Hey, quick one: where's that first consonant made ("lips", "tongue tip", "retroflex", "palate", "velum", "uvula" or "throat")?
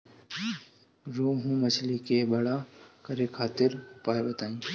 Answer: tongue tip